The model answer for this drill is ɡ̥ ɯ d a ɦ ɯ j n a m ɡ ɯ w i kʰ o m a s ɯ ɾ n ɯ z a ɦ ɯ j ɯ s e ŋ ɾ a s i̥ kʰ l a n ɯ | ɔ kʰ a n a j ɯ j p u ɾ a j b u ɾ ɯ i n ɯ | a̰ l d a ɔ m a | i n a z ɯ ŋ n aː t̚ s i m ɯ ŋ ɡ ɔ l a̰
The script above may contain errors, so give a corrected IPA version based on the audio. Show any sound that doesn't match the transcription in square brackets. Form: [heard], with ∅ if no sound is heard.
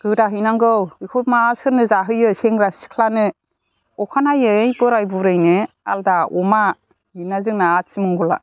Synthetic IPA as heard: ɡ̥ ɯ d a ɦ ɯ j n a [ŋ] ɡ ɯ w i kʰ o m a s ɯ ɾ n ɯ z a ɦ ɯ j ɯ s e ŋ ɾ a s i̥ kʰ l a n ɯ | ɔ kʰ a n a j ɯ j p [ɯ] ɾ a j b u ɾ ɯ [j] n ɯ | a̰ l d a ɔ m a | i n a z ɯ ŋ n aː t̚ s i m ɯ ŋ ɡ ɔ l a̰